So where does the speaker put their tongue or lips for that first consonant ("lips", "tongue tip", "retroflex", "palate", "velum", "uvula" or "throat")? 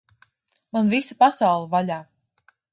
lips